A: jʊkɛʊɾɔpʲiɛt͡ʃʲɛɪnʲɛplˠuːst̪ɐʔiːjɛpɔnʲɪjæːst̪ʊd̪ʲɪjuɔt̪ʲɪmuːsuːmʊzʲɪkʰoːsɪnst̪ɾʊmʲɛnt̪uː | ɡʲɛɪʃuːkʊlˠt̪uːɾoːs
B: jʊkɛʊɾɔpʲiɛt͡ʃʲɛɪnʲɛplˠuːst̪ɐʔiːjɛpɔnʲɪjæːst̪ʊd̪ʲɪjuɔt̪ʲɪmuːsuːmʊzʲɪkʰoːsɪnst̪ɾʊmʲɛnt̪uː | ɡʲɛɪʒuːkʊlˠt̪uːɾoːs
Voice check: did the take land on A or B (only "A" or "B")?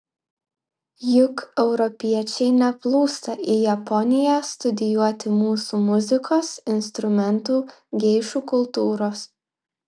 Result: A